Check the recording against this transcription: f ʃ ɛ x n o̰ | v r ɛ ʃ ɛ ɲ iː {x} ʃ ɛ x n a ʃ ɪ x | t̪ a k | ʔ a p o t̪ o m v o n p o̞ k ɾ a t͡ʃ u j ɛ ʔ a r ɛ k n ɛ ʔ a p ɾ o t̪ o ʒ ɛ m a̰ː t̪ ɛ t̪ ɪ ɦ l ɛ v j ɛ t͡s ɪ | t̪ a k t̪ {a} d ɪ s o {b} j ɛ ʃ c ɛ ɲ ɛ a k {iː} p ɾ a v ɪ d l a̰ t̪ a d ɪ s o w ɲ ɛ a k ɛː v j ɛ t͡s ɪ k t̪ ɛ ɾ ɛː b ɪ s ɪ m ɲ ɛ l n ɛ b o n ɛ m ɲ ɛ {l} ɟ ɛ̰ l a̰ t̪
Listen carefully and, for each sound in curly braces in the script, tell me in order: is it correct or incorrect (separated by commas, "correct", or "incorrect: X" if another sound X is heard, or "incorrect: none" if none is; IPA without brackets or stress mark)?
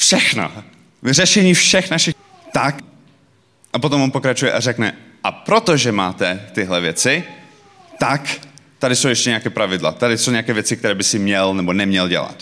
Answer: incorrect: f, correct, incorrect: w, incorrect: ɛː, correct